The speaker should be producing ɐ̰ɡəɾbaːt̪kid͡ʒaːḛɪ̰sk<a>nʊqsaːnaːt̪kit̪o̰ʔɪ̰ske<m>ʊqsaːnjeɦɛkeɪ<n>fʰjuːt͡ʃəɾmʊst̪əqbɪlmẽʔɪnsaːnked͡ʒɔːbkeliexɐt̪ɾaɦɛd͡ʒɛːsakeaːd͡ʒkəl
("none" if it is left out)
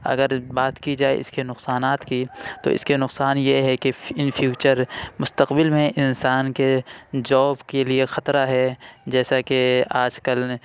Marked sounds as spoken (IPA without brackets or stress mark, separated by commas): e, n, n